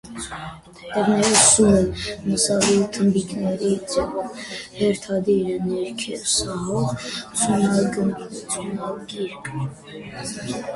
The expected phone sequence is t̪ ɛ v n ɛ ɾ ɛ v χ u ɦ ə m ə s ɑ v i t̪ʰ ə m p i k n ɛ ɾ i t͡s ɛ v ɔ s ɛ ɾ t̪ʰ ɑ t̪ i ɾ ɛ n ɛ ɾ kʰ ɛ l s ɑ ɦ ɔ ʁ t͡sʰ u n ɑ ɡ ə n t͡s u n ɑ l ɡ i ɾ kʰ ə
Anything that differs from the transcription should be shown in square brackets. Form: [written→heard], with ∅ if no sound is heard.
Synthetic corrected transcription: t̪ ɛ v n ɛ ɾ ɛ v [χ→s] u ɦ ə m ə s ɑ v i t̪ʰ ə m [p→b] i k n ɛ ɾ i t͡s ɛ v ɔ [s→h] ɛ ɾ t̪ʰ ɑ [t̪→d̪] i ɾ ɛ n ɛ ɾ kʰ ɛ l s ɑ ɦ ɔ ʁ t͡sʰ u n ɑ ɡ ə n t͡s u n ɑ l ɡ i ɾ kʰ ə